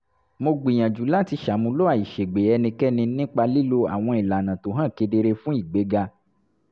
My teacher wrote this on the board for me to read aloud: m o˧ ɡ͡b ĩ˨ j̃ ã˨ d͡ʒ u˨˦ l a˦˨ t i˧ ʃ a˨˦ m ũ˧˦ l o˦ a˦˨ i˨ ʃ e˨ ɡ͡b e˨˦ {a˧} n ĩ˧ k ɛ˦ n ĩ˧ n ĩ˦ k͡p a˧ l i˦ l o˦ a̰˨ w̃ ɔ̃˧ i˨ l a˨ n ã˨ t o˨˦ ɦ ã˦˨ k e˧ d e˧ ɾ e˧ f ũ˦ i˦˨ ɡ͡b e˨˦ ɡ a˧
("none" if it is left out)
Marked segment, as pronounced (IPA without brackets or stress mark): ɛ˧